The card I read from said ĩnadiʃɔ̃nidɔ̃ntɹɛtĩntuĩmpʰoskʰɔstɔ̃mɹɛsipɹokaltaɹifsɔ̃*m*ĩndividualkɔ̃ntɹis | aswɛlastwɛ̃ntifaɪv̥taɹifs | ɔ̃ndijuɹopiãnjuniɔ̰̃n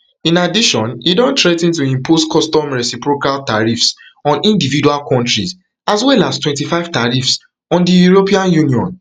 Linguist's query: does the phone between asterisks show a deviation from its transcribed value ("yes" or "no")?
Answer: yes